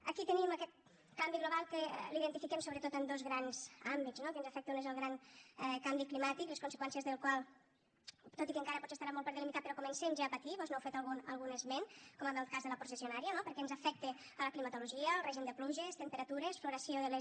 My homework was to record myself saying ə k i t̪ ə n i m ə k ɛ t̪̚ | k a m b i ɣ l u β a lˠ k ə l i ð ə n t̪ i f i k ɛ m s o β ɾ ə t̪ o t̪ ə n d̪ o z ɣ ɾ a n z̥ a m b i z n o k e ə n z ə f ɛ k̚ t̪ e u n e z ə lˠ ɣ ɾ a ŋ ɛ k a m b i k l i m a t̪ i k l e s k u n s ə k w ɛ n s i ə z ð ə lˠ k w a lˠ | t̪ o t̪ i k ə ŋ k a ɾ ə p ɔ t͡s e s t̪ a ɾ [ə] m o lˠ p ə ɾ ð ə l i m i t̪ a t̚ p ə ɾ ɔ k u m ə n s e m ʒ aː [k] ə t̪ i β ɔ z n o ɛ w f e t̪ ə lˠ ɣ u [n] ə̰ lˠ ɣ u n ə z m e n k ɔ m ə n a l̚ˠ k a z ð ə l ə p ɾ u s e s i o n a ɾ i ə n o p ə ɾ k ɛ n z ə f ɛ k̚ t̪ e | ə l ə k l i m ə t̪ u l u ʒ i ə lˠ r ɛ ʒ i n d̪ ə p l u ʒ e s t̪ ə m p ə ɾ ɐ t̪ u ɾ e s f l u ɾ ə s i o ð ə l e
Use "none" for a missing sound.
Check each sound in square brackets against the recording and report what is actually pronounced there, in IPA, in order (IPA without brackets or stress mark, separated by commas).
a, p, n